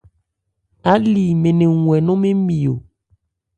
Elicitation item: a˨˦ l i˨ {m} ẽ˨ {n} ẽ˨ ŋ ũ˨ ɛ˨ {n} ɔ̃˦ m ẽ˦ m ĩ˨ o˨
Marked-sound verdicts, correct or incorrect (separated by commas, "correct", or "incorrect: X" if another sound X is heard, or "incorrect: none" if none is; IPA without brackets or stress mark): correct, correct, correct